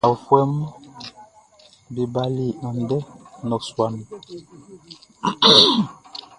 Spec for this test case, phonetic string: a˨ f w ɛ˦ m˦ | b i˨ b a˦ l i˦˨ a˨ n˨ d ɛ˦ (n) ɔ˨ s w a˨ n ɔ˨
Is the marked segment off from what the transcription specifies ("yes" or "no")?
no